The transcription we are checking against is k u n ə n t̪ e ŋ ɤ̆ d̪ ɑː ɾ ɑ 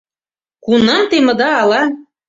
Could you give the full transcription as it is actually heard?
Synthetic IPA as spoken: k u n ɑ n t̪ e m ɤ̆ d̪ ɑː l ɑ